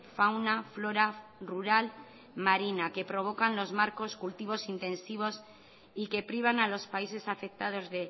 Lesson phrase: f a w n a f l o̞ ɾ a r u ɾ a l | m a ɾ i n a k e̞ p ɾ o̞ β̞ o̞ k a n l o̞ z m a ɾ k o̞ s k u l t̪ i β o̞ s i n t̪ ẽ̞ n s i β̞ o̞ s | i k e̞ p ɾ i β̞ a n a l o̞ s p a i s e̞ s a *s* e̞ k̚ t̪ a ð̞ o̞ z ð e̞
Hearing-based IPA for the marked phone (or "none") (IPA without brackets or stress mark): f